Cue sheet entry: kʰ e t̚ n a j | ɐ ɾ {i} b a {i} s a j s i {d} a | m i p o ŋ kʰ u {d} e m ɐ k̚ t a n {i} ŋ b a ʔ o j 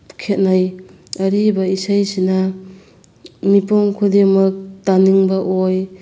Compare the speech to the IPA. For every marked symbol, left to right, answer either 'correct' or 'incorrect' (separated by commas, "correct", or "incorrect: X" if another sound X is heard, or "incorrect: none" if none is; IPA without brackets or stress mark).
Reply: correct, correct, incorrect: n, correct, correct